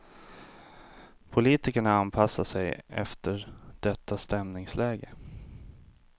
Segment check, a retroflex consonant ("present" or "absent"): present